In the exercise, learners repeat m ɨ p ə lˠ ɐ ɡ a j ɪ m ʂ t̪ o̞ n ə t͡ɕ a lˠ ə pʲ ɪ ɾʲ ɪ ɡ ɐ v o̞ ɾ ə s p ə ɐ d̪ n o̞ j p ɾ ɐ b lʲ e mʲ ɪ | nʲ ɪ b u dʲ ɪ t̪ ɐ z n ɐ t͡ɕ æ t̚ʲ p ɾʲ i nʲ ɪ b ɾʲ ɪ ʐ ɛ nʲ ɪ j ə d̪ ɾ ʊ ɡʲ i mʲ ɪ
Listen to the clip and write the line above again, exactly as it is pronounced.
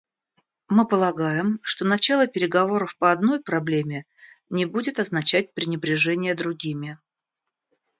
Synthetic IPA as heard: m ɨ p ə lˠ ɐ ɡ a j ɪ m ʂ t̪ o̞ n ɐ t͡ɕ a lˠ ə pʲ ɪ ɾʲ ɪ ɡ ɐ v o̞ ɾ ə f p ə ɐ d̪ n o̞ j p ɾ ɐ b lʲ e mʲ ɪ | nʲ ɪ b u dʲ ɪ t̪ ɐ z n ɐ t͡ɕ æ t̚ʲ p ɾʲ ɪ nʲ ɪ b ɾʲ ɪ ʐ ɛ nʲ ɪ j ə d̪ ɾ ʊ ɡʲ i mʲ ɪ